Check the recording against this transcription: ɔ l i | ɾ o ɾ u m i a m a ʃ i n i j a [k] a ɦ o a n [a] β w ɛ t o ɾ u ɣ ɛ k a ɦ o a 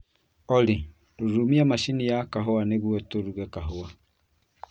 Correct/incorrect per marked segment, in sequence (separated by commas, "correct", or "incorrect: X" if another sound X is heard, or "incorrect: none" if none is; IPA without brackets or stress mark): correct, incorrect: e